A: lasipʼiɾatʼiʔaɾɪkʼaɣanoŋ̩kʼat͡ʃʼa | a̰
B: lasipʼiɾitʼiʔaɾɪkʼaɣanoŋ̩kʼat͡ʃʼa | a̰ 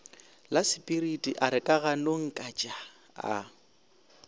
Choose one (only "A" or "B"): B